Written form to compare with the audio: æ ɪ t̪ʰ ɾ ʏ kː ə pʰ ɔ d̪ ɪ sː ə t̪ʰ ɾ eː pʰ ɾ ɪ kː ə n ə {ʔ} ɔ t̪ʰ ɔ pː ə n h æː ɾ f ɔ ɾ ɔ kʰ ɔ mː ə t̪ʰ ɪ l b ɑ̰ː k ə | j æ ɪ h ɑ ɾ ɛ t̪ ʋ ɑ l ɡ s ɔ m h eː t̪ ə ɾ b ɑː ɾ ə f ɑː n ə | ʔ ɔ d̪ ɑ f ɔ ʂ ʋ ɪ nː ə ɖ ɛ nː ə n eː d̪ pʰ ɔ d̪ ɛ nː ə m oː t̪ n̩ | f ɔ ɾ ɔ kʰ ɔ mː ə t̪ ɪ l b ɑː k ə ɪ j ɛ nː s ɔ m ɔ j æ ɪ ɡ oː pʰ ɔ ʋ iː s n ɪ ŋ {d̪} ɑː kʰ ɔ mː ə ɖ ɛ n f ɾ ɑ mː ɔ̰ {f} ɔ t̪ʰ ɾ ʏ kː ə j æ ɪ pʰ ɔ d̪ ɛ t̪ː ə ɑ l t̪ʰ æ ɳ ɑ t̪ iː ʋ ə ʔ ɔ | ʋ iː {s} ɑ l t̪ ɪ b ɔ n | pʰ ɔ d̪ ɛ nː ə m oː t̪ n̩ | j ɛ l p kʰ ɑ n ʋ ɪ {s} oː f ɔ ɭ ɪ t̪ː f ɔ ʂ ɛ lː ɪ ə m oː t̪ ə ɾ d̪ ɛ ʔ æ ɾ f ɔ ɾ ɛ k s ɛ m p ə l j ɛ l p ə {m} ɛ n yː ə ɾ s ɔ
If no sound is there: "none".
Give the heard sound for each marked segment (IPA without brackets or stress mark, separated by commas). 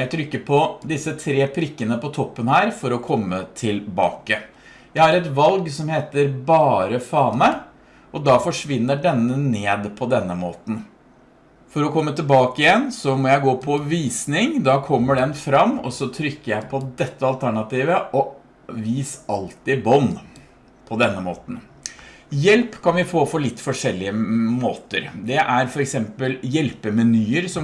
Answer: p, d̪, s, s, f, m